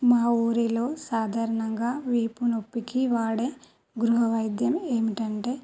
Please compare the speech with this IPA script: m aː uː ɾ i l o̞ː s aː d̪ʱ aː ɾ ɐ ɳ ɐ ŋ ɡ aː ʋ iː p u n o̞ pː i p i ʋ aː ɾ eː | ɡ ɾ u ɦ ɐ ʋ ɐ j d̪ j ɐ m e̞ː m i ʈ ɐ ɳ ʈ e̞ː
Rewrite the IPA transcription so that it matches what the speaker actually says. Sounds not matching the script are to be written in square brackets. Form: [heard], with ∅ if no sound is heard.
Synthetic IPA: m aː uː ɾ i l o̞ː s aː d̪ʱ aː ɾ ɐ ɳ ɐ ŋ ɡ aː ʋ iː p u n o̞ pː i [k] i ʋ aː [ɽ] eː | ɡ ɾ u ɦ ɐ ʋ ɐ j d̪ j ɐ m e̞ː m i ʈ ɐ ɳ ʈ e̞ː

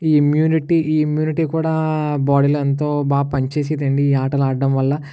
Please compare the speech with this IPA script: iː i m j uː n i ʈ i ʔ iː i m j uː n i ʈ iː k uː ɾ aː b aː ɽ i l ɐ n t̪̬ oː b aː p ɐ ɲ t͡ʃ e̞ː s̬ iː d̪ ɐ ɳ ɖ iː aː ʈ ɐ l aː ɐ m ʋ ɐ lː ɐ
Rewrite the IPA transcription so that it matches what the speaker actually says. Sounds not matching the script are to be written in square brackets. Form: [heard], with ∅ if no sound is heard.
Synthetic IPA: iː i m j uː n i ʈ i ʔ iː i m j uː n i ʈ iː k uː [ɽ] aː b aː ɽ i l ɐ n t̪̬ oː b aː p ɐ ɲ t͡ʃ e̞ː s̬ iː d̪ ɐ ɳ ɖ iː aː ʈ ɐ l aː ɐ m ʋ ɐ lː ɐ

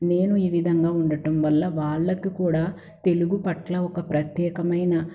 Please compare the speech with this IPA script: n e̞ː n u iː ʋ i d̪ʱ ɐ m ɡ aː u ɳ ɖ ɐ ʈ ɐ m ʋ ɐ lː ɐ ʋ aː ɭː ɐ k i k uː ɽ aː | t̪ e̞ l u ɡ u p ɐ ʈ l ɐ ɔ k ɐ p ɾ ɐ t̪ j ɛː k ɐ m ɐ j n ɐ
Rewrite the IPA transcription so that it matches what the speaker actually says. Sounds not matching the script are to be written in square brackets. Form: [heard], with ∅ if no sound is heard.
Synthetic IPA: n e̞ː n u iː ʋ i d̪ʱ ɐ [ŋ] ɡ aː u ɳ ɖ ɐ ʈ ɐ m ʋ ɐ lː ɐ ʋ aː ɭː ɐ k i k uː ɽ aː | t̪ e̞ l u ɡ u p ɐ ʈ l ɐ ɔ k ɐ p ɾ ɐ t̪ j ɛː k ɐ m ɐ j n ɐ

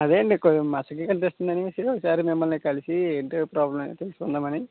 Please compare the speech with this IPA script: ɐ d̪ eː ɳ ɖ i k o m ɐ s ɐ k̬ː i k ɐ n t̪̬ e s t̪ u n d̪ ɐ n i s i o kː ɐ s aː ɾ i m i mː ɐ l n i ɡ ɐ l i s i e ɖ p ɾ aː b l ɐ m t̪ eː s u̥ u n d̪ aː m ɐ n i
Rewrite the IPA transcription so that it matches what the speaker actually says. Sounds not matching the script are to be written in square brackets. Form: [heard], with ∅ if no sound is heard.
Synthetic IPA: ɐ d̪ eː ɳ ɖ i k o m ɐ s ɐ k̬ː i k ɐ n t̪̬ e s t̪ u n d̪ ɐ n i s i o kː ɐ s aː ɾ i m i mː ɐ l n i [k] ɐ l i s i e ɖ p ɾ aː b l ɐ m t̪ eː s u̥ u n d̪ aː m ɐ n i

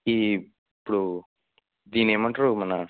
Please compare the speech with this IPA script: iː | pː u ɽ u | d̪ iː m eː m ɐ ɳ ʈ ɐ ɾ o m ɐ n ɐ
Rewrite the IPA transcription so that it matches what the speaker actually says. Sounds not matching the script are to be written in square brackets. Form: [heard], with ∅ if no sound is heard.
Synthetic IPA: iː | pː u ɽ u | d̪ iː [n] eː m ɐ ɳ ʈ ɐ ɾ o m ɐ n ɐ

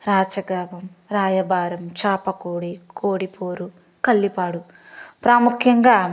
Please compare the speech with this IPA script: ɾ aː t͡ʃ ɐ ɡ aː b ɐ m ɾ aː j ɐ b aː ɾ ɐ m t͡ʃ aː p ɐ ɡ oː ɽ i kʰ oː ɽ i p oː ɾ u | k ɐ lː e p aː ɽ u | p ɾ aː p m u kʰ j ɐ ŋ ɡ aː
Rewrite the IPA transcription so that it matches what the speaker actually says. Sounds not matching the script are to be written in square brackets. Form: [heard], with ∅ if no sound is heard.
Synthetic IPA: ɾ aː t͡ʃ ɐ ɡ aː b ɐ m ɾ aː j ɐ b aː ɾ ɐ m t͡ʃ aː p ɐ [k] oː ɽ i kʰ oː ɽ i p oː ɾ u | k ɐ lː [i] p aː ɽ u | p ɾ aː [∅] m u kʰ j ɐ ŋ ɡ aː

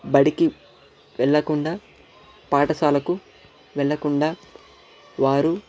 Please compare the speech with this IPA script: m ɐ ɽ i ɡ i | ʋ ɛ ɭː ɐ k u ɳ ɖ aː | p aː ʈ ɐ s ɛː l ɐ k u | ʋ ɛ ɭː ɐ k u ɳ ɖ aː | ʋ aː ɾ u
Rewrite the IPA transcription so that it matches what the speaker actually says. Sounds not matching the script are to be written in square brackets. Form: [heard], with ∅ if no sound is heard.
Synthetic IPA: [b] ɐ ɽ i [k] i | ʋ ɛ ɭː ɐ k u ɳ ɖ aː | p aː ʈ ɐ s [aː] l ɐ k u | ʋ ɛ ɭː ɐ k u ɳ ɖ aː | ʋ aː ɾ u

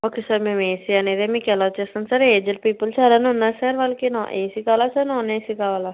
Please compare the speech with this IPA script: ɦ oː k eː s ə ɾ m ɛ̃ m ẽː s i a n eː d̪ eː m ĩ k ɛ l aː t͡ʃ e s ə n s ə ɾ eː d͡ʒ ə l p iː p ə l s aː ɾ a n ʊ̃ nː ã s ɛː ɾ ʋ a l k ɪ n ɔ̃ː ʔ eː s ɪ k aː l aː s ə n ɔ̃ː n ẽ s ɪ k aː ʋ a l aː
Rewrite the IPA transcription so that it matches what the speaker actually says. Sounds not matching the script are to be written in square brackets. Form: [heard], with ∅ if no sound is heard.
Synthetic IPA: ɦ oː k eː s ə ɾ m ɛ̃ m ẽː s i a n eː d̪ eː m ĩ k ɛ l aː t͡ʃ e s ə n s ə ɾ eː d͡ʒ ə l p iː p ə l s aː ɾ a n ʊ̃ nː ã s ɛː ɾ ʋ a l k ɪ n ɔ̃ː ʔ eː s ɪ k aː l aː s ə n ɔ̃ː n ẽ s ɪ k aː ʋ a l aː

